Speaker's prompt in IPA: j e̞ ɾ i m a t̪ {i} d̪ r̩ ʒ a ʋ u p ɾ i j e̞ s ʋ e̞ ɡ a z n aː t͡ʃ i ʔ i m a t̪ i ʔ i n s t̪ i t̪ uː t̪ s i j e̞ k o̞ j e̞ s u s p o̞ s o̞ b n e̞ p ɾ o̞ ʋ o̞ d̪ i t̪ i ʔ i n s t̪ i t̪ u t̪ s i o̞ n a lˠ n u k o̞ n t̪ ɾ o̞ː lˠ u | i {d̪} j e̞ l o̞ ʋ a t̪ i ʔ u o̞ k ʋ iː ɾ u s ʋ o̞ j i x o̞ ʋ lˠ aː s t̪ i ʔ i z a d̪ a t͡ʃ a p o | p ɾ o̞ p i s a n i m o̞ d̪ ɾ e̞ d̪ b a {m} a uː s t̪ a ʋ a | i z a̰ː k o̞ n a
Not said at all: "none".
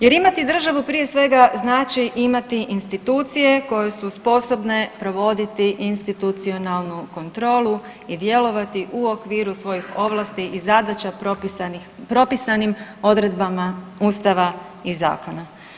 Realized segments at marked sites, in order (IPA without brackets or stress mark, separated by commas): i, d̪, m